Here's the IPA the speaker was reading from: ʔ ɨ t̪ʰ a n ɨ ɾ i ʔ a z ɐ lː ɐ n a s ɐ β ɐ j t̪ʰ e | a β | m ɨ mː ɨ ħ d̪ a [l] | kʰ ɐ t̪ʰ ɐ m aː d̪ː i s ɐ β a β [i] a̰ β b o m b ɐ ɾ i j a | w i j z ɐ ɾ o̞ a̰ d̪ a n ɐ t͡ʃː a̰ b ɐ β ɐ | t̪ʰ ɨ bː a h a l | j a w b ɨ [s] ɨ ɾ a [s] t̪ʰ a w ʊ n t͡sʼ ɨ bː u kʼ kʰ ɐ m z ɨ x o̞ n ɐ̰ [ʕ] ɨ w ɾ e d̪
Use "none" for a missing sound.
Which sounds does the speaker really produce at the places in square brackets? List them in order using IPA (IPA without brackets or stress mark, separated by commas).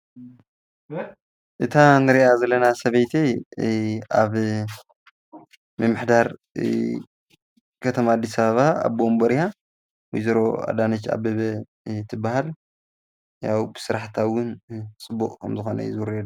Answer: ɾ, a, s, ħ, z